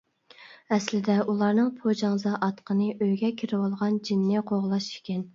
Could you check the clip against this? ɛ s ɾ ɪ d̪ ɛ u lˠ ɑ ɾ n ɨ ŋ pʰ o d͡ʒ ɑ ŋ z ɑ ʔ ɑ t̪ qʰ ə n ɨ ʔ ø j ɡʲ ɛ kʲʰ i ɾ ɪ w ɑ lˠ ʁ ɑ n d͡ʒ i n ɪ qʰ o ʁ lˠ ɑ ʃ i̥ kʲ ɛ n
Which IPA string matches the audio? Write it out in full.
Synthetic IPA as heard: ɛ s l ɪ d̪ ɛ u lˠ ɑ ɾ n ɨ ŋ pʰ o d͡ʒ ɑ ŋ z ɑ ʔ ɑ t̪ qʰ ə n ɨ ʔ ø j ɡʲ ɛ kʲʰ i ɾ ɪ w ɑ lˠ ʁ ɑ n d͡ʒ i nː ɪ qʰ o ʁ lˠ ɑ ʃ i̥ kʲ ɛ n

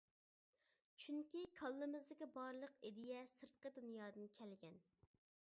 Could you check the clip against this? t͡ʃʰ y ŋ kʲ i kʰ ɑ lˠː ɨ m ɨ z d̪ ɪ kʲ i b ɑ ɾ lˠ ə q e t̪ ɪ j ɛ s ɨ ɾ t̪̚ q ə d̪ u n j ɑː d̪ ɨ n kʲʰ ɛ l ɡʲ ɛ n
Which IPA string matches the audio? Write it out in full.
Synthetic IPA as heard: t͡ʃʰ y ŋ kʲ i kʰ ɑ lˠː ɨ m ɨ z d̪ ɪ kʲ i b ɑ ɾ lˠ ə q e d̪ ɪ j ɛ s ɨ ɾ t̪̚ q ə d̪ u n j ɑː d̪ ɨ n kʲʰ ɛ l ɡʲ ɛ n

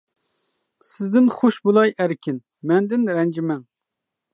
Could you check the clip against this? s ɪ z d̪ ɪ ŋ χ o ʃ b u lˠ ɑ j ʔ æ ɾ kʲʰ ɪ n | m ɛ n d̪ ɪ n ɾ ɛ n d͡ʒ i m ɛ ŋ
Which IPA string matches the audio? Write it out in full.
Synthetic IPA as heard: s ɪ z d̪ ɪ n χ o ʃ b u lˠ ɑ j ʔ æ ɾ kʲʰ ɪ n | m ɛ n d̪ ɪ n ɾ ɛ n d͡ʒ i m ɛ ŋ

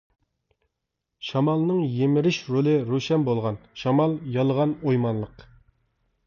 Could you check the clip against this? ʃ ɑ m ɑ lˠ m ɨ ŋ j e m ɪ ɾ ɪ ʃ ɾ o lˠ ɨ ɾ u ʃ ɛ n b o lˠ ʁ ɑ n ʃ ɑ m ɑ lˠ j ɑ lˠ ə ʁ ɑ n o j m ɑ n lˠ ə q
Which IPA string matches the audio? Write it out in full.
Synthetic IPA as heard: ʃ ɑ m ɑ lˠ n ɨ ŋ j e m ɪ ɾ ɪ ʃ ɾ o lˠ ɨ ɾ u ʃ ɛ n b o lˠ ʁ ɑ n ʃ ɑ m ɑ lˠ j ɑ lˠ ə ʁ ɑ n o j m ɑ n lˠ ə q

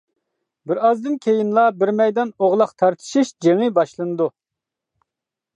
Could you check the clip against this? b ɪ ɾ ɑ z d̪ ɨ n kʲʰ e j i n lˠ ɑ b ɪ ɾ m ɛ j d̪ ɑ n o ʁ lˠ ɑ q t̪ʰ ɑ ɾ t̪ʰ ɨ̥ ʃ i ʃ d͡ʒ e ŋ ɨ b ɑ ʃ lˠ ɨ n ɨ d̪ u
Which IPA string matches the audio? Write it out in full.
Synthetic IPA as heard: b ɪ ɾ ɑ z d̪ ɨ n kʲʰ e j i n lˠ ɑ b ɪ ɾ m ɛ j d̪ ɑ n o ʁ lˠ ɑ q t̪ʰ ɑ ɾ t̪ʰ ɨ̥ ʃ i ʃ d͡ʒ e ŋ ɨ b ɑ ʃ lˠ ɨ n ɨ d̪ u

